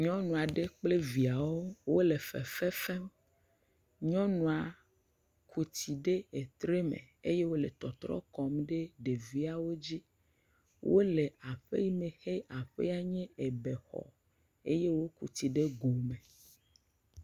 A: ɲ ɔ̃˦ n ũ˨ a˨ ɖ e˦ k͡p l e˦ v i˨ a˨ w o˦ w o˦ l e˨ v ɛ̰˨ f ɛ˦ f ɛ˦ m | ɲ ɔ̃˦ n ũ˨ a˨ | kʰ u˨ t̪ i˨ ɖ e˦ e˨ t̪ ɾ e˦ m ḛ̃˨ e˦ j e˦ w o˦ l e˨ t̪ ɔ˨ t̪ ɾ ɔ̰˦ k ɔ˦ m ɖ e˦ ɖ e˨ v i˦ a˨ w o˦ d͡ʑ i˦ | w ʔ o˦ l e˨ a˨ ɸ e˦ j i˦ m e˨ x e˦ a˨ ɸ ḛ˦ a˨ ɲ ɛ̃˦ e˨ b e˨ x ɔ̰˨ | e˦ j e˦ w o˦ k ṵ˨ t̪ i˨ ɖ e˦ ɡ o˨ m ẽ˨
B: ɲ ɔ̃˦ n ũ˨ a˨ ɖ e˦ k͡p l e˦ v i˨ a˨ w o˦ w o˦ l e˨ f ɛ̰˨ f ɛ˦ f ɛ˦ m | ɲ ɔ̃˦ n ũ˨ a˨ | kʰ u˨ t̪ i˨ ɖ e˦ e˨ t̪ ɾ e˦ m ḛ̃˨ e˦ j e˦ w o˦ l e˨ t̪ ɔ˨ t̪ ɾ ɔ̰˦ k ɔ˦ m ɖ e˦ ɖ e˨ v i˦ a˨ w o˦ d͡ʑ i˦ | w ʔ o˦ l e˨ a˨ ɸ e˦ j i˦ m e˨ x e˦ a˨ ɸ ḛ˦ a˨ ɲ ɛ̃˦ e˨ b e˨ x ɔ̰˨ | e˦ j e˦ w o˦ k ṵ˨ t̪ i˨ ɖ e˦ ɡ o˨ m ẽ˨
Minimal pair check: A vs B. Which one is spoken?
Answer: B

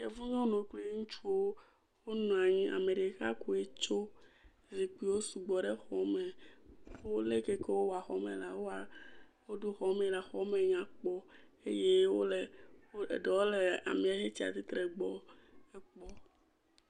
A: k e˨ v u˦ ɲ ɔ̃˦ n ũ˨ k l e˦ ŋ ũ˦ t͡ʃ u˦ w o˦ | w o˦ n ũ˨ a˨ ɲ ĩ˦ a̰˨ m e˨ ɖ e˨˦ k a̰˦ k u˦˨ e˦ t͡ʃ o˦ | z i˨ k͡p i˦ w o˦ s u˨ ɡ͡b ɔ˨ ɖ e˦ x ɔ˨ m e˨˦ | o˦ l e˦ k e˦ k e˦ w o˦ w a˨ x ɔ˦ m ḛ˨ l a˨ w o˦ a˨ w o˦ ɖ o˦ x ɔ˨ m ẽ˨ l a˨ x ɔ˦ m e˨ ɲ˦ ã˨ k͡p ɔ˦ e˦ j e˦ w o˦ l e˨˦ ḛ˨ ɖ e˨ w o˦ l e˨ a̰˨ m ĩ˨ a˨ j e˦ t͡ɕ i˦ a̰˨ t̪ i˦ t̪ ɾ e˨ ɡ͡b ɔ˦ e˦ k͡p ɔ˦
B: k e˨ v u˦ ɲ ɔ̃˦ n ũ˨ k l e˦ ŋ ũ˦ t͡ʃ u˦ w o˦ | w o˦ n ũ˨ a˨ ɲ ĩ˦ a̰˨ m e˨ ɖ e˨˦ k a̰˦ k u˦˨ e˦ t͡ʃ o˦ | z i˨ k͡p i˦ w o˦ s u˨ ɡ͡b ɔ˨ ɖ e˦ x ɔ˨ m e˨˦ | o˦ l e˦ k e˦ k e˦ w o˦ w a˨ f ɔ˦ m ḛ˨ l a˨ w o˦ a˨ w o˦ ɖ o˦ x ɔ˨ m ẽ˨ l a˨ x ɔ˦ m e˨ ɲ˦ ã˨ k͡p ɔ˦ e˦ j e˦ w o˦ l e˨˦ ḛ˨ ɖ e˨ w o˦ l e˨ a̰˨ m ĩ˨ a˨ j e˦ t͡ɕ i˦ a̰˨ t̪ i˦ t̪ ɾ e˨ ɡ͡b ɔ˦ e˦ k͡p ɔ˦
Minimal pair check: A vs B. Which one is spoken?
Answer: A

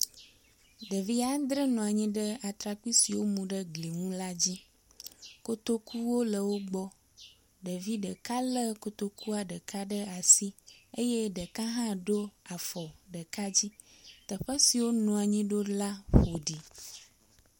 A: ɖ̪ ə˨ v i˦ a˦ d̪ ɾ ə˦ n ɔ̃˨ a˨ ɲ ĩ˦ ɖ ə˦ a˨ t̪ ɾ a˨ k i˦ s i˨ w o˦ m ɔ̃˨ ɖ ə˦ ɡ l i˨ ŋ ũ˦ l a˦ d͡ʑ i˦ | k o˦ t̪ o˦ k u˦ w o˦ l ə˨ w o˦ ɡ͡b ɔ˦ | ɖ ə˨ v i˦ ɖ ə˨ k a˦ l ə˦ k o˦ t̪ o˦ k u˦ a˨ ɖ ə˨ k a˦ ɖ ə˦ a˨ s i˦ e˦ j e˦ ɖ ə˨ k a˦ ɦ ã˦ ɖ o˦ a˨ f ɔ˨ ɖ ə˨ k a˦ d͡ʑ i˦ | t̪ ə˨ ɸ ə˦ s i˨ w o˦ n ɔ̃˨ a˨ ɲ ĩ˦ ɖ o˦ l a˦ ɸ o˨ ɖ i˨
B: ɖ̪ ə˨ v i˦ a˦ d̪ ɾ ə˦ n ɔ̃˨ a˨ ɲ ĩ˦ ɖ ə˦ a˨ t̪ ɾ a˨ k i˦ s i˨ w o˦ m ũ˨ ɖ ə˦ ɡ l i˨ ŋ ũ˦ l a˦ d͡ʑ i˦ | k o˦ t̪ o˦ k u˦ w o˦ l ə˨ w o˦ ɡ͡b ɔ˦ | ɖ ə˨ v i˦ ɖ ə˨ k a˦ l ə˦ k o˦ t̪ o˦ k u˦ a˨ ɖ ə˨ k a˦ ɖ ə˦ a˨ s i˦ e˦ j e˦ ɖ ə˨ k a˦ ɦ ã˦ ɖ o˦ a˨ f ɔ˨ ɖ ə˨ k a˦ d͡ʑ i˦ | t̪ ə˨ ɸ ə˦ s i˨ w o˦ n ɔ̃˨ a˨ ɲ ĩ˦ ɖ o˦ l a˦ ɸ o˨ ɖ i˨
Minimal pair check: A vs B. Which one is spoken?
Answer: B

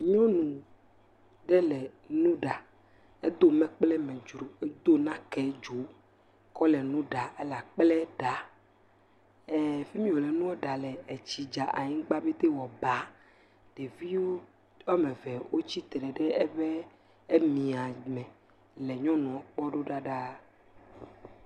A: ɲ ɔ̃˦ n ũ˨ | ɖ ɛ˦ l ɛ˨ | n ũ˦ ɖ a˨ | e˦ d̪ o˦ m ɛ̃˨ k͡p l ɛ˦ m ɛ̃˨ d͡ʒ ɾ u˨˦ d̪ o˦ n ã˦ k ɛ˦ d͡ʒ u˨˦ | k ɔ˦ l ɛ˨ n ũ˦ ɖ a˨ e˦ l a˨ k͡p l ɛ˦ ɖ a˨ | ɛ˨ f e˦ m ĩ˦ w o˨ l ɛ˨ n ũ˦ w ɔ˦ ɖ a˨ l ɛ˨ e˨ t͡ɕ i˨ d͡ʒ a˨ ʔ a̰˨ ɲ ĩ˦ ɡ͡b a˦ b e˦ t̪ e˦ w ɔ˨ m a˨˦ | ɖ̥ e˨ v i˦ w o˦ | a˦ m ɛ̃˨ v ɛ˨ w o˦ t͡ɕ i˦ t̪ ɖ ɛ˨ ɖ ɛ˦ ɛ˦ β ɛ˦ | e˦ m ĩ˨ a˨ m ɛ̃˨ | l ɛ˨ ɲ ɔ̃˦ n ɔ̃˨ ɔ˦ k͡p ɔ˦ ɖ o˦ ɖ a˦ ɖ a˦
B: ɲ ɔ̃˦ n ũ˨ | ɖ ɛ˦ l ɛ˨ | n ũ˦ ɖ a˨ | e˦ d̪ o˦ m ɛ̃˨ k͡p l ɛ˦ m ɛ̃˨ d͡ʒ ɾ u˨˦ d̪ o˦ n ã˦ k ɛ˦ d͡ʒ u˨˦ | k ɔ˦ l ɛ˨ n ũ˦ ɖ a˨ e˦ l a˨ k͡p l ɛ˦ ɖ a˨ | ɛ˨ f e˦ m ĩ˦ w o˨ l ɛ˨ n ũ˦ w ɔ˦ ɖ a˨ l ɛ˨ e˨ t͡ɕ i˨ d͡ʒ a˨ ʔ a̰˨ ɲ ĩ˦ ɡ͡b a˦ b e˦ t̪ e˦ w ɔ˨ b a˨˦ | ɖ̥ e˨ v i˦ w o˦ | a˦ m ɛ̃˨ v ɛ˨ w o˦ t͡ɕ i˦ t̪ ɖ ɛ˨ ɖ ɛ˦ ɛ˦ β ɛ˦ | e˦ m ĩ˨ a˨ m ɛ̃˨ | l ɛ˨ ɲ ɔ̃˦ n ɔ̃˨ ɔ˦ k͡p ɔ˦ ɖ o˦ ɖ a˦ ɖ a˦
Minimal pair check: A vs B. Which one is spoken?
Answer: B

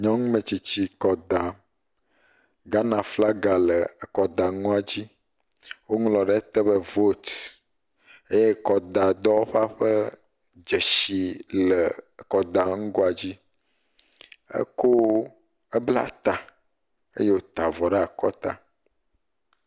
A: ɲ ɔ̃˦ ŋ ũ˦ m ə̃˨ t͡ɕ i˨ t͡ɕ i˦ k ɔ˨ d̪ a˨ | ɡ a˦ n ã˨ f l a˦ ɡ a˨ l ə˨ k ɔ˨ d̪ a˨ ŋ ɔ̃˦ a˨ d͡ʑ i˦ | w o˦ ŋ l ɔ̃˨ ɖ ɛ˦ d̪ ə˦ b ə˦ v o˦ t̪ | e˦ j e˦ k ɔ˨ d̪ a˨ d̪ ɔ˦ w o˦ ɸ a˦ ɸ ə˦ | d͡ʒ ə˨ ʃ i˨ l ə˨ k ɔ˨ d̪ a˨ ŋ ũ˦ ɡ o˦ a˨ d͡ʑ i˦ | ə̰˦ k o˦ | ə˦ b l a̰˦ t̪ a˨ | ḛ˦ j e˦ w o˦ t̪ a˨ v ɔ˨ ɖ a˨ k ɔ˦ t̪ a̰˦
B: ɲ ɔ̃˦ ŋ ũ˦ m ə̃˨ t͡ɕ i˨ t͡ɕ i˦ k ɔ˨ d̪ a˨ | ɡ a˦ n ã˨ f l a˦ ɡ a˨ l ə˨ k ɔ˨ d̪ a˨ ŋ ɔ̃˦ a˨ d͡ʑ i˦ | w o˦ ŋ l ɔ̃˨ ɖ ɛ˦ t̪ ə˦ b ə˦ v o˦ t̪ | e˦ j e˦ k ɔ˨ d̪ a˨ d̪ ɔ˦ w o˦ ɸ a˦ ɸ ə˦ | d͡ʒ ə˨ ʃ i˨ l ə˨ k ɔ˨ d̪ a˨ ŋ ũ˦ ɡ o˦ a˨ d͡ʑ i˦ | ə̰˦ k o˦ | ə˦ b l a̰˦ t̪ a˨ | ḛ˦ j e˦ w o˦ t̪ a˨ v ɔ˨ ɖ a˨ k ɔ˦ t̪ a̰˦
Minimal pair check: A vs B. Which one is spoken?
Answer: B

